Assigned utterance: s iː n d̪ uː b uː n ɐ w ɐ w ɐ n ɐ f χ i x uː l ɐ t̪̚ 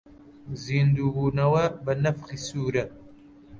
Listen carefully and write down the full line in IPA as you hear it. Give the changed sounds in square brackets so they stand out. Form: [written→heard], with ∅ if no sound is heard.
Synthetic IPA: [s→z] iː n d̪ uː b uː n ɐ w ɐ [w→b] ɐ n ɐ f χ i [x→s] uː [l→ɾ] ɐ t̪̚